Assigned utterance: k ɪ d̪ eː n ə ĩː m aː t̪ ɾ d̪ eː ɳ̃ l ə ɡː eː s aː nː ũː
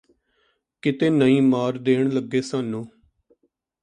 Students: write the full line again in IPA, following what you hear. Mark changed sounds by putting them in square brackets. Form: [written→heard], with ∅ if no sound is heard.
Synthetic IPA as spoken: k ɪ [d̪→t̪] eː n ə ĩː m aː [t̪→∅] ɾ d̪ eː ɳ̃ l ə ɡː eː s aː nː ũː